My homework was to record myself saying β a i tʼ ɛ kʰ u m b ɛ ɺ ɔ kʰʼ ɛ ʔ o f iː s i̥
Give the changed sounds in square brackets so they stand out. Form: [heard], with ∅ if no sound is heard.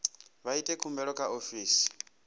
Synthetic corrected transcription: β a i tʼ ɛ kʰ u m b ɛ ɺ ɔ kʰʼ [a] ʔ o f iː s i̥